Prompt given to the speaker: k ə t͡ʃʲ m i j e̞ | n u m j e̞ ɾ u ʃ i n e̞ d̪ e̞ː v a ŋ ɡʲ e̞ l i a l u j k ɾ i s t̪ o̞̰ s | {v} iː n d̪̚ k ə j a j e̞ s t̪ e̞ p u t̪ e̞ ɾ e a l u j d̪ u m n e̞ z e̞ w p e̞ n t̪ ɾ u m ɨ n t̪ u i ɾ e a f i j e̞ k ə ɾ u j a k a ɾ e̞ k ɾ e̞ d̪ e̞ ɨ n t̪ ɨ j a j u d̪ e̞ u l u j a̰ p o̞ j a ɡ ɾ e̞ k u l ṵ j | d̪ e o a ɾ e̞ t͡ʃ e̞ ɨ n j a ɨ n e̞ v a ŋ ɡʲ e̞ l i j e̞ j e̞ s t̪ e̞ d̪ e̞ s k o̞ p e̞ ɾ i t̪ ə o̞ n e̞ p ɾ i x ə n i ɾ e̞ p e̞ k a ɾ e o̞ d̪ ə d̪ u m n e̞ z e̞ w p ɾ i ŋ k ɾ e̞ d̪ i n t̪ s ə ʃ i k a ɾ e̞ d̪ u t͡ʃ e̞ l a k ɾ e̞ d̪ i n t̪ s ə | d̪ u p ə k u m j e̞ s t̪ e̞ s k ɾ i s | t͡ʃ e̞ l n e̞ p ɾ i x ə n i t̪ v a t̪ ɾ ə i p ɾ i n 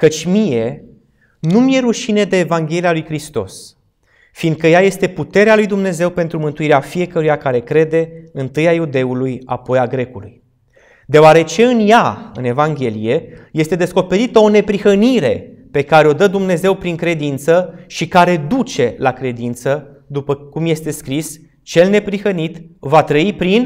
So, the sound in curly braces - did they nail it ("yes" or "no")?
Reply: no